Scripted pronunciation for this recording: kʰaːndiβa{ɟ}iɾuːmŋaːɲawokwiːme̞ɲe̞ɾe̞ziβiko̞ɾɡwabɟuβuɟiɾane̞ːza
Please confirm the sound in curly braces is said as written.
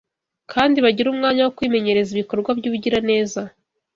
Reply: yes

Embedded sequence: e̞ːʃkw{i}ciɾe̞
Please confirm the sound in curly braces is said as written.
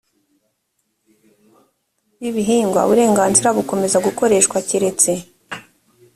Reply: no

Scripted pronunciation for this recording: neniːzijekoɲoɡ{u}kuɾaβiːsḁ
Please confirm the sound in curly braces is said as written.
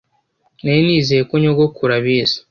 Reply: no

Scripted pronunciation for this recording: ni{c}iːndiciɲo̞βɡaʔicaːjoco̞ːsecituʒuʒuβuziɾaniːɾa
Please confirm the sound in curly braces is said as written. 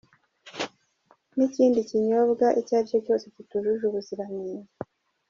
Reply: yes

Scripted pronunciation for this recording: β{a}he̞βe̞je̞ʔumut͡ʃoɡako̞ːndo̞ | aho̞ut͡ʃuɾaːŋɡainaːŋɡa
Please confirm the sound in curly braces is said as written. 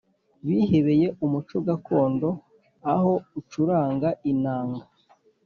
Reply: no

